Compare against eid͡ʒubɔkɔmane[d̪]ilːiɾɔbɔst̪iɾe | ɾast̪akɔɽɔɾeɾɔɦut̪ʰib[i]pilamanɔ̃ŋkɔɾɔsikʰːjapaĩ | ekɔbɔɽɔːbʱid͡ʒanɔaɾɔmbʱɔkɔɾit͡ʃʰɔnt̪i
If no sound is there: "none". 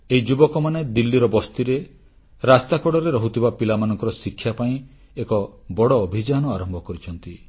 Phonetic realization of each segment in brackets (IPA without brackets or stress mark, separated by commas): d̪, a